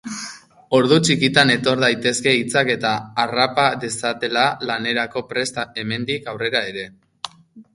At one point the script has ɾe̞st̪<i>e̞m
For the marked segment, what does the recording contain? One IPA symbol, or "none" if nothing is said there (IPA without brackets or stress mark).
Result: a